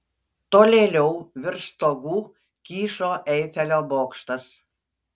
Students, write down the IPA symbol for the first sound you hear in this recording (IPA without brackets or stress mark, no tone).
t̪